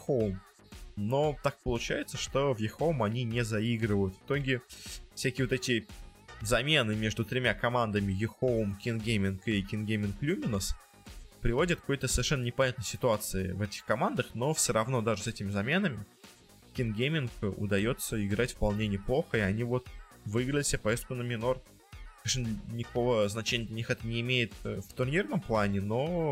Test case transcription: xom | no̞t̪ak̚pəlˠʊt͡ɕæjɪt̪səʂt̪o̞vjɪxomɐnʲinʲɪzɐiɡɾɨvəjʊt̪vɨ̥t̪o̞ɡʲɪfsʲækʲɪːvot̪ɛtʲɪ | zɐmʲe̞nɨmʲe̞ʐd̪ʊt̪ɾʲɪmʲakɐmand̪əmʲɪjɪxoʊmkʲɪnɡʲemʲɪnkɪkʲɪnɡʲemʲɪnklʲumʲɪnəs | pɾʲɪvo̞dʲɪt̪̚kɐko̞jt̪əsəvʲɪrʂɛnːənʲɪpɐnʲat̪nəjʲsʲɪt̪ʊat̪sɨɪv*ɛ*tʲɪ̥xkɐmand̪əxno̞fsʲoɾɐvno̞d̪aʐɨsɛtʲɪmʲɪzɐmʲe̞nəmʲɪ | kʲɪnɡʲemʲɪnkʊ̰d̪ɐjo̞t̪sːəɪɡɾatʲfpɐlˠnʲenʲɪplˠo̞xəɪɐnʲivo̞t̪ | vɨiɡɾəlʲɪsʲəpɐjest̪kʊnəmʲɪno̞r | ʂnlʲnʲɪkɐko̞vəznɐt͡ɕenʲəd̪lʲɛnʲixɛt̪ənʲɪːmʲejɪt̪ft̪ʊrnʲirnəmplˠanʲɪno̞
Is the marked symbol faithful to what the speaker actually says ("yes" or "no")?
yes